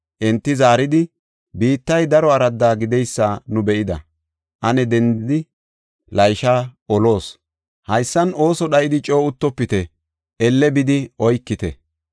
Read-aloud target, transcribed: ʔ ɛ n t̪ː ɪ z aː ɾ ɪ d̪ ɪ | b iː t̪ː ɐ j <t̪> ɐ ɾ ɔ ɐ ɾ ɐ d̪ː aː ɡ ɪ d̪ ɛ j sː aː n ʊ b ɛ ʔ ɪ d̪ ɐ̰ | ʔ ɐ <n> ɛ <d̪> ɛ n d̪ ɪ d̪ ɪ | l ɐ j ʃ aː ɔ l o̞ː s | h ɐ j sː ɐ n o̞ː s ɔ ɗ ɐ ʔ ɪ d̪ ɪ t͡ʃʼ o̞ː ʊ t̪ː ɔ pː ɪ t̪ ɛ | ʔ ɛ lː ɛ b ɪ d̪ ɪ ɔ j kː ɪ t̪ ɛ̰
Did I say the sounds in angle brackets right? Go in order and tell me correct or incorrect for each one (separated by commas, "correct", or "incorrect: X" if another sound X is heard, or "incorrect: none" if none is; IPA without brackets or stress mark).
incorrect: d̪, correct, correct